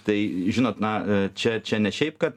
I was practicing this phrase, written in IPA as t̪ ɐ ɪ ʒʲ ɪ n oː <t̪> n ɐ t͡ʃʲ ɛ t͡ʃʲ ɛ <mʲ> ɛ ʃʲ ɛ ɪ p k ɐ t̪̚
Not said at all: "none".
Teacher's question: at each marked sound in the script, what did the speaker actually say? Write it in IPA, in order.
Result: t̪, nʲ

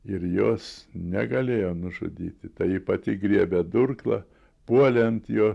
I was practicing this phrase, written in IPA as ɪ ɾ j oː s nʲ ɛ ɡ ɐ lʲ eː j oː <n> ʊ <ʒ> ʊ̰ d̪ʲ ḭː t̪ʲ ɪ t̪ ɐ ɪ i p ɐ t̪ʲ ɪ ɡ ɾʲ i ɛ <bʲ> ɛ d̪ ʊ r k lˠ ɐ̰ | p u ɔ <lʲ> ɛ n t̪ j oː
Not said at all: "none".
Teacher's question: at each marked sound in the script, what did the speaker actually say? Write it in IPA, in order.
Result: n, ʒ, bʲ, lʲ

